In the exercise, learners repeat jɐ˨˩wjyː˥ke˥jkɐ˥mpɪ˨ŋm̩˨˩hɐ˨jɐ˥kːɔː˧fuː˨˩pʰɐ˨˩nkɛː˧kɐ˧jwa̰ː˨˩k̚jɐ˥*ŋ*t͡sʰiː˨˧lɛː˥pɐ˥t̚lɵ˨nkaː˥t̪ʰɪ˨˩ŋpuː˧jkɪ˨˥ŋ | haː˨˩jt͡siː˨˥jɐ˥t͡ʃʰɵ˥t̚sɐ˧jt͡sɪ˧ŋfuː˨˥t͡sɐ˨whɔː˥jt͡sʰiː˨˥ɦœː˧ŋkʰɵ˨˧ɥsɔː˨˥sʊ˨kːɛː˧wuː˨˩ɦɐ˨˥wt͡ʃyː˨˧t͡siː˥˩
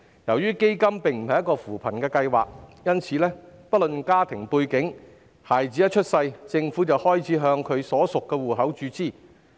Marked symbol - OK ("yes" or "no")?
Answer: no